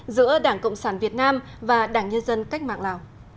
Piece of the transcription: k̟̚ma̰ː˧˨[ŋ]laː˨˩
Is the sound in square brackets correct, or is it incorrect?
correct